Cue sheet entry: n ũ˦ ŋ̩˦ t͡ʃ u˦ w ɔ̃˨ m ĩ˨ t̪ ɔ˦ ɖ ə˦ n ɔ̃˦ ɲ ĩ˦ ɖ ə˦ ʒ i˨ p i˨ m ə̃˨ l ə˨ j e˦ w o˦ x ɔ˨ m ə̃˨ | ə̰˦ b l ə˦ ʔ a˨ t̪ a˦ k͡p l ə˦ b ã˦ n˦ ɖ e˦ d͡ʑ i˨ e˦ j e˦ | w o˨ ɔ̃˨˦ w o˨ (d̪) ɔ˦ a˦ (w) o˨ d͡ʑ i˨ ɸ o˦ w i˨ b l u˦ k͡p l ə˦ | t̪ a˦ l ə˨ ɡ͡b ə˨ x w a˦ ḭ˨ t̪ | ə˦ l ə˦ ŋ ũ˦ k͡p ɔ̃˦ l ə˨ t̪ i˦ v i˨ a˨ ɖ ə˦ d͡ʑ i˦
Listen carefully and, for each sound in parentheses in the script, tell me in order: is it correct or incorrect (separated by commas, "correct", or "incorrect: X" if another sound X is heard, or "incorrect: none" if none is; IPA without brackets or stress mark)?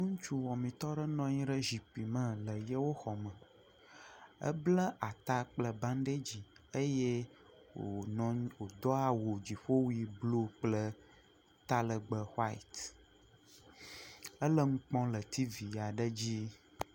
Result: correct, correct